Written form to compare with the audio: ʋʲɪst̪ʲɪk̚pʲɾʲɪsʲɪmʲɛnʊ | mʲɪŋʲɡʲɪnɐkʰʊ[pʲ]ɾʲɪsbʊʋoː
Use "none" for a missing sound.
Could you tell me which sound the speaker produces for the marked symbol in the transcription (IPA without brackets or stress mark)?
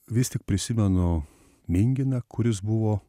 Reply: none